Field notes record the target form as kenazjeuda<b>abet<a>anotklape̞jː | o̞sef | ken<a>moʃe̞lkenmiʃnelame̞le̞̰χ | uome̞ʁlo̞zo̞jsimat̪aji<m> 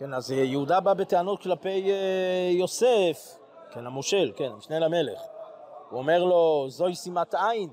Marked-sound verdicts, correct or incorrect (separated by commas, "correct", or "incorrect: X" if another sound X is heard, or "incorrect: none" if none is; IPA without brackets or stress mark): correct, incorrect: e, correct, incorrect: n